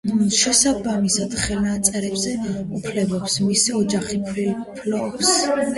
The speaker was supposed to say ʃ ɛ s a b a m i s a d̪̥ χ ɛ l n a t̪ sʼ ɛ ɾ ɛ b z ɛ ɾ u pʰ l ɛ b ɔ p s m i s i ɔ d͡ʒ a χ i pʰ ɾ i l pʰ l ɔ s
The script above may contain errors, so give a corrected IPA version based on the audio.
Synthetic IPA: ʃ ɛ s a b a m i s a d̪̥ χ ɛ l n a t̪ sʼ ɛ ɾ ɛ b z ɛ u pʰ l ɛ b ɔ p s m i s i ɔ d͡ʒ a χ i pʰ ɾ i l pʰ l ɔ s